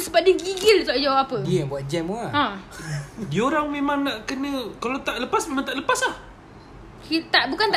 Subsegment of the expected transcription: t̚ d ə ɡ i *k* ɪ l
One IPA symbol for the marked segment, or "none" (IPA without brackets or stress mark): ɡ